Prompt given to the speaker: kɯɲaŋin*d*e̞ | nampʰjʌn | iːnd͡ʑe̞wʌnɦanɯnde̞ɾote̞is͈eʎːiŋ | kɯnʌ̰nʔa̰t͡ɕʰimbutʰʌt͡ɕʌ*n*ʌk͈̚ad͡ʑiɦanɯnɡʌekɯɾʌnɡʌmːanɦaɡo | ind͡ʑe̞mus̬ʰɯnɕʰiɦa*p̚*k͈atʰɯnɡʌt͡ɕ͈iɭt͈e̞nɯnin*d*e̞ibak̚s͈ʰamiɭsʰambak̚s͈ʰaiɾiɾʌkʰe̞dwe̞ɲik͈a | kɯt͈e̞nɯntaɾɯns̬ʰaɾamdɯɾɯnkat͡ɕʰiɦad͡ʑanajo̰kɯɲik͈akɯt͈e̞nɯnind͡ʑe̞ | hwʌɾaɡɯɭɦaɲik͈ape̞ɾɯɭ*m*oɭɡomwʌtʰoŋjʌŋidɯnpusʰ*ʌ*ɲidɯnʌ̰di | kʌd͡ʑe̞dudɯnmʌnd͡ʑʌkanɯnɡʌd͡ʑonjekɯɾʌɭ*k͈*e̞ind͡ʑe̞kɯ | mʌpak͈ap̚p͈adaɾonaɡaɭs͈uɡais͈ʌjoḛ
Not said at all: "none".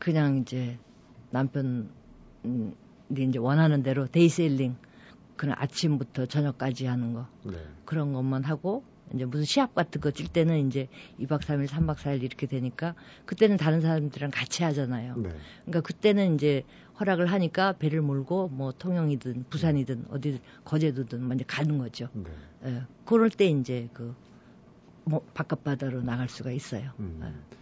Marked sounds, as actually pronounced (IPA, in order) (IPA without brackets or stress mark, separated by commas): d͡ʑ, ɲ, p̚, d͡ʑ, m, a, t͈